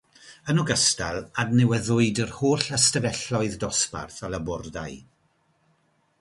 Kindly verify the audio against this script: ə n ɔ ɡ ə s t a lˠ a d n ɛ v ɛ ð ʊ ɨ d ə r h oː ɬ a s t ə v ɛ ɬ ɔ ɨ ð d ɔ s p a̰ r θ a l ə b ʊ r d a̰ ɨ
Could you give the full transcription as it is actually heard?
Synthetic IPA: ə n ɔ ɡ ə s t a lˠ a d n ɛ w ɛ ð ʊ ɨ d ə r h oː ɬ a s t ə v ɛ ɬ ɔ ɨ ð d ɔ s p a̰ r θ a l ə b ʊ r d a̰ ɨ